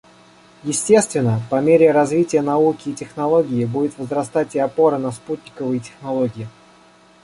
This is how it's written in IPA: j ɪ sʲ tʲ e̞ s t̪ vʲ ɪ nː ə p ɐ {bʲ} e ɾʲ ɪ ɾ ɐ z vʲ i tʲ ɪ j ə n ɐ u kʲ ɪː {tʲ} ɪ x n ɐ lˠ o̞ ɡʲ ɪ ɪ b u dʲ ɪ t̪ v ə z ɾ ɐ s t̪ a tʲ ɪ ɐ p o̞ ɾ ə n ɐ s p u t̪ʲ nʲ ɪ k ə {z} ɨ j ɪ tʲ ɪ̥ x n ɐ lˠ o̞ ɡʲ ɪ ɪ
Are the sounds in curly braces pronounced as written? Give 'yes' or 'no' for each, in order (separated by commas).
no, yes, no